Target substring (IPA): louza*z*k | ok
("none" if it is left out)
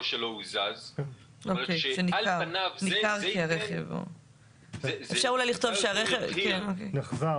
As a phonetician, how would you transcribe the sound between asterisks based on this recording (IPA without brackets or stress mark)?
z